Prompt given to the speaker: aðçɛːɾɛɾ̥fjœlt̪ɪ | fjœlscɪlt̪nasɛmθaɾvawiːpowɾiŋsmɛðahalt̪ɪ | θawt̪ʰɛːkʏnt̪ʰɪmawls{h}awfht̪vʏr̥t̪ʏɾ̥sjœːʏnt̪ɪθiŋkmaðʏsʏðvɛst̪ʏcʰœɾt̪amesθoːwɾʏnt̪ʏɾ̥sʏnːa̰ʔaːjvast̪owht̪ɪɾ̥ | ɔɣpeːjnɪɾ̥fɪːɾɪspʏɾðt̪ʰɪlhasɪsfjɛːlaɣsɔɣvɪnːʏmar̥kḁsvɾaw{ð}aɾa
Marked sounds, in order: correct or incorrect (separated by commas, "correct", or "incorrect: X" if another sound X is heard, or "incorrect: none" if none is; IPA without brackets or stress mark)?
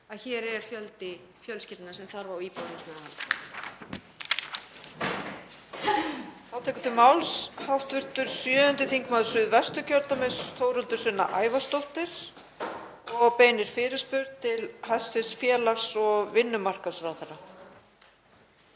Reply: correct, incorrect: θ